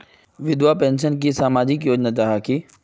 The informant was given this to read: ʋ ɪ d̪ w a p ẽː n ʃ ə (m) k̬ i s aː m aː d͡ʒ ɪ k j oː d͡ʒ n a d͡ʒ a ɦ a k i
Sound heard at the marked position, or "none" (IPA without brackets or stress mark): n